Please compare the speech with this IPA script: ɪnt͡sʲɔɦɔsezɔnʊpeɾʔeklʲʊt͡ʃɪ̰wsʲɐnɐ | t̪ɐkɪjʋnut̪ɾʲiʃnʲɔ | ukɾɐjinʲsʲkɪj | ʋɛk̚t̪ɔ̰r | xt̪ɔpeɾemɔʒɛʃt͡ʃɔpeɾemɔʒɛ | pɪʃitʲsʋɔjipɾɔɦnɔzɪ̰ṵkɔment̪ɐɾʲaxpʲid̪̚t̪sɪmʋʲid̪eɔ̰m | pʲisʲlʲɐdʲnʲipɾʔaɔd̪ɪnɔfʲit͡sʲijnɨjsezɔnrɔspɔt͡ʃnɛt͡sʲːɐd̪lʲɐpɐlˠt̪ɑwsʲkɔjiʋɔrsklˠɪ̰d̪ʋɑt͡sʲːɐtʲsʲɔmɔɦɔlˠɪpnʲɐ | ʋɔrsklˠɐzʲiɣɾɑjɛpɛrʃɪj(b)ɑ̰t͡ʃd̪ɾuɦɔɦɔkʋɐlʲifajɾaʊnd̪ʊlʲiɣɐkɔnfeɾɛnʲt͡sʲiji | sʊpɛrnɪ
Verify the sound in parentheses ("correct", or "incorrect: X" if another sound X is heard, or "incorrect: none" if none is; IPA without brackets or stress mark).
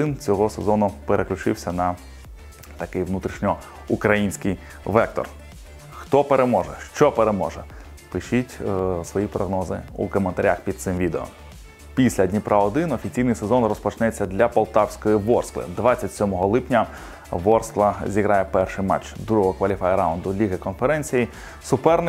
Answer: incorrect: m